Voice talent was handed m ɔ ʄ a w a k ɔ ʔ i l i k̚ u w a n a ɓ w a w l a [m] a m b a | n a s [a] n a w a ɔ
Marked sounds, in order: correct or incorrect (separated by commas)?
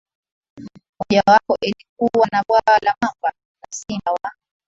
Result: correct, incorrect